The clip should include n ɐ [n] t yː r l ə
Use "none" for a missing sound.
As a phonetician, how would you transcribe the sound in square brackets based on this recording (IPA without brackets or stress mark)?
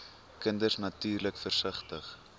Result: none